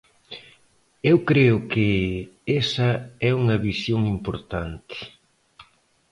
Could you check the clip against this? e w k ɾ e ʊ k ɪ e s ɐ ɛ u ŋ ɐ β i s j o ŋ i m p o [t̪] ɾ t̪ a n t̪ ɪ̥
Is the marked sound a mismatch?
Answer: yes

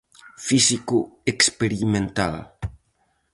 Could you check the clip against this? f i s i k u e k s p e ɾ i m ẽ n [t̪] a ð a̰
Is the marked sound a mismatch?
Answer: no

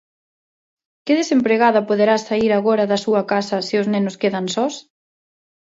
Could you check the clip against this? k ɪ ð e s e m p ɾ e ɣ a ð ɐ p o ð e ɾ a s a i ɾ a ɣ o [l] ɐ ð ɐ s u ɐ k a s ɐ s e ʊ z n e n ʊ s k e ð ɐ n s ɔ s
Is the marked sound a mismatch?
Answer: yes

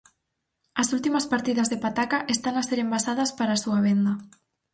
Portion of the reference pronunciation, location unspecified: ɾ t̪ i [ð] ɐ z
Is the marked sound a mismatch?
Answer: no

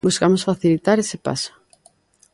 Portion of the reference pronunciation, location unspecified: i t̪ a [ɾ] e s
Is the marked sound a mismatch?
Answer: no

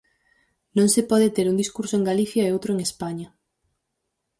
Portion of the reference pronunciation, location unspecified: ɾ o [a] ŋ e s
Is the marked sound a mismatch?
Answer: yes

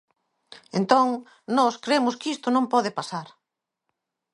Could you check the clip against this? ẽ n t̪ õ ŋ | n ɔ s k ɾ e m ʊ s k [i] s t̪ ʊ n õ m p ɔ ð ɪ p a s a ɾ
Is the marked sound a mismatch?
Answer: no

